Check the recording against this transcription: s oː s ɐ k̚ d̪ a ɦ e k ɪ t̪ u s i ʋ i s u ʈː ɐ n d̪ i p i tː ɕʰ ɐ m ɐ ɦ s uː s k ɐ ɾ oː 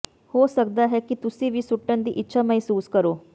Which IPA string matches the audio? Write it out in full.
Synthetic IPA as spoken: h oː s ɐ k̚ d̪ a ɦ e k i t̪ u s i ʋ i s u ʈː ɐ n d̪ i ʔ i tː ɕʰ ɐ m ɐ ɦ s uː s k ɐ ɾ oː